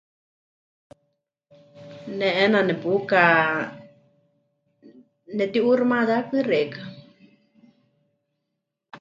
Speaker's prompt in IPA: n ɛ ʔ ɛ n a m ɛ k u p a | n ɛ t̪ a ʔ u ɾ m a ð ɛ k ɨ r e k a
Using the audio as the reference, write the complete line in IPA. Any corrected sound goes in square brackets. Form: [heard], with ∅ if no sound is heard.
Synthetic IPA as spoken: n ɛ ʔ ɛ n a [n] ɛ [p] u [k] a | n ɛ t̪ [i] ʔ u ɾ m a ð [a] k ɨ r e k a

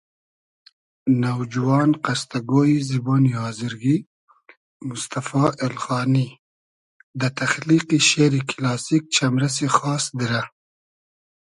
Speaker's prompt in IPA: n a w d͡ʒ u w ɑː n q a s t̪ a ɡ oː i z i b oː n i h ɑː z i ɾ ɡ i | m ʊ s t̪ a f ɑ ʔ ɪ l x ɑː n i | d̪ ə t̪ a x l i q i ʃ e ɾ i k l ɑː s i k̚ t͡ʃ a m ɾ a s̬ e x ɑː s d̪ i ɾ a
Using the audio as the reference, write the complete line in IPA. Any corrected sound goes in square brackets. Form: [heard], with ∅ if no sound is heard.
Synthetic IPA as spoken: n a w d͡ʒ u w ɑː n q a s t̪ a ɡ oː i z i b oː n i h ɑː z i ɾ ɡ i | m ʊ s t̪ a f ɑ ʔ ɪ l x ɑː n i | d̪ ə t̪ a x l i q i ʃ e ɾ i k l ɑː s i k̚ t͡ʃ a m ɾ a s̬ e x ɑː s d̪ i ɾ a

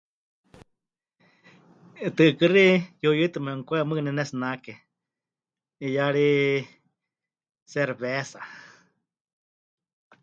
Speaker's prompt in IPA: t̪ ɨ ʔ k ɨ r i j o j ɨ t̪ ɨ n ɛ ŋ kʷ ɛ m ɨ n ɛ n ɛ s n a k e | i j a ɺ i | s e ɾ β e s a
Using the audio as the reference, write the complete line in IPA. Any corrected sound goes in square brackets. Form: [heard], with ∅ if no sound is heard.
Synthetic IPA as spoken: t̪ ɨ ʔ k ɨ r i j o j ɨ t̪ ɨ [m] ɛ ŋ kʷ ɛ m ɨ n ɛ n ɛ s n a k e | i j a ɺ i | s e ɾ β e s a

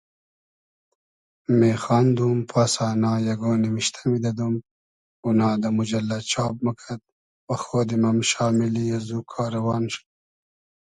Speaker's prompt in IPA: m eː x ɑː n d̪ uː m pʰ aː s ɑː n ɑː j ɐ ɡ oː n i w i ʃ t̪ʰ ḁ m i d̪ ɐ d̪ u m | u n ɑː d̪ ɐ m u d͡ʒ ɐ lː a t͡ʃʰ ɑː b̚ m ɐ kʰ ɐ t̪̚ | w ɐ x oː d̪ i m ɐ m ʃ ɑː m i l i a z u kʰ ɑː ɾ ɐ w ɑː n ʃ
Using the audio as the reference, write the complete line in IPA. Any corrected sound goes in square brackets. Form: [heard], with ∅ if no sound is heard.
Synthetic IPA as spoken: m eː x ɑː n d̪ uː m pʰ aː s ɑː n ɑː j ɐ ɡ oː n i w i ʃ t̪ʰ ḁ m i d̪ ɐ d̪ u m | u n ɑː d̪ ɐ m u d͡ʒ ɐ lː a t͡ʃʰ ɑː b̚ m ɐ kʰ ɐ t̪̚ | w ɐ x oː d̪ i m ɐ m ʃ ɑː m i l i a z u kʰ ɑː ɾ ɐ w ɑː n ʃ

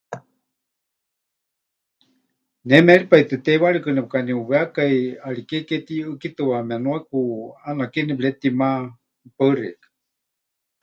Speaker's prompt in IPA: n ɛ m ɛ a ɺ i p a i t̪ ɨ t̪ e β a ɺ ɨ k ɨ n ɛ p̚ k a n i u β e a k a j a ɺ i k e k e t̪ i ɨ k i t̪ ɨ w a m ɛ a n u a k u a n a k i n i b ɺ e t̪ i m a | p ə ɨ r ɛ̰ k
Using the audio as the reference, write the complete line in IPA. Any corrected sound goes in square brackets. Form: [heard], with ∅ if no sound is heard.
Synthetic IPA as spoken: n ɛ m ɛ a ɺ i p a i t̪ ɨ t̪ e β a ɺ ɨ k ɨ n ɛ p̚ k a n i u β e a k a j a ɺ i k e k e t̪ i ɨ k i t̪ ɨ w a m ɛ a n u a k u a n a k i n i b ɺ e t̪ i m a | p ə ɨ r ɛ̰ k

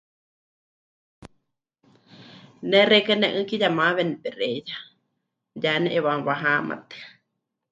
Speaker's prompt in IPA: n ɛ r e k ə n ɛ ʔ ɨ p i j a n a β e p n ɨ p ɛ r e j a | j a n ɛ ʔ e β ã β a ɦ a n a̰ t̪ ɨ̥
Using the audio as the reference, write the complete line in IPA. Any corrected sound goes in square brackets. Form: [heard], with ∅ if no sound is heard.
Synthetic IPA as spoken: n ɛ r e k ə n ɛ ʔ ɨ [k] i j a [m] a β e [∅] n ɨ p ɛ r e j a | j a n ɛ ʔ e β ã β a ɦ a [m] a̰ t̪ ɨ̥

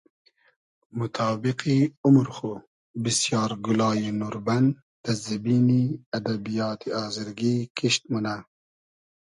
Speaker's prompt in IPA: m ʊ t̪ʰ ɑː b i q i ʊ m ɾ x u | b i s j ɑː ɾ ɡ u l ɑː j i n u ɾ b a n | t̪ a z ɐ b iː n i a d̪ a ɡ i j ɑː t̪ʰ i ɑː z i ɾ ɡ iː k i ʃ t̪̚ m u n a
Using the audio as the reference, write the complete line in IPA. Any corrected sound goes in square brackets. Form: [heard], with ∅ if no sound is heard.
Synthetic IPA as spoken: m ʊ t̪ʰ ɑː b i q i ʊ m ɾ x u | b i s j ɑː ɾ ɡ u l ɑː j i n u ɾ b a n | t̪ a z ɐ b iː n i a d̪ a [b] i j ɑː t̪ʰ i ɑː z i ɾ ɡ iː k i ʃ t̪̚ m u n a

